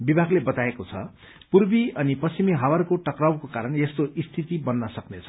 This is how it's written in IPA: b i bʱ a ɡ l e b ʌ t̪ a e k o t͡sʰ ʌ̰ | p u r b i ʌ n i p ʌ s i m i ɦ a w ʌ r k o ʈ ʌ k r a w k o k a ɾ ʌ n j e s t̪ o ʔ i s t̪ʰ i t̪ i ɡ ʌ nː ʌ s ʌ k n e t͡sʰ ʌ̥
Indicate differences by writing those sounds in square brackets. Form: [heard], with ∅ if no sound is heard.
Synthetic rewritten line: b i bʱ a ɡ l e b ʌ t̪ a e k o t͡sʰ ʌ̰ | p u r b i ʌ n i p ʌ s i m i ɦ a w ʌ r k o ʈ ʌ k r a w k o k a ɾ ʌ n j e s t̪ o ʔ i s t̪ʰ i t̪ i [b] ʌ nː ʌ s ʌ k n e t͡sʰ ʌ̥